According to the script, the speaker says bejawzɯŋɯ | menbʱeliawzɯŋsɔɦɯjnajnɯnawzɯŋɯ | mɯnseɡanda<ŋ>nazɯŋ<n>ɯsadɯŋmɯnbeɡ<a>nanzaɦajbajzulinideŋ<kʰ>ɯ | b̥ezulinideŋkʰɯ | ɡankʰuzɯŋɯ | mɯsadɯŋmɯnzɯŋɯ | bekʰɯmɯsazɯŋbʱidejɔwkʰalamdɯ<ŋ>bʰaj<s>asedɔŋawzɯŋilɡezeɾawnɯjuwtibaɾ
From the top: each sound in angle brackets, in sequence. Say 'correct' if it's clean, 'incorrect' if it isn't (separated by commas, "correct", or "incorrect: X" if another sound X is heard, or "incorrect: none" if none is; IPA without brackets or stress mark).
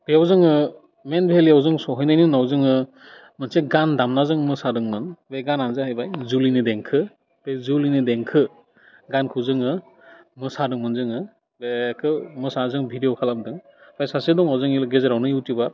incorrect: m, incorrect: m, correct, correct, correct, correct